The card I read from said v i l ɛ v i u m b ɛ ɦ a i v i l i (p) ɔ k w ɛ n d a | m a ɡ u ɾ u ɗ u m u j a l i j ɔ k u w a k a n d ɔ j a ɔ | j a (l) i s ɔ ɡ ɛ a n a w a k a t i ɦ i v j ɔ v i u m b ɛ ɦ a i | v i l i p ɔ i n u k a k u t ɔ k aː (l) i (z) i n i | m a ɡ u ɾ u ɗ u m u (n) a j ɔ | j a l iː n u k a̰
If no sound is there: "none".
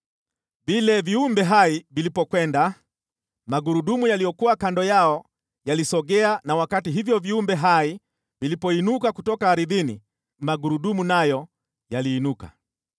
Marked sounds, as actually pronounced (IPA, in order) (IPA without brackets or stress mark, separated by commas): p, l, ɾ, ð, n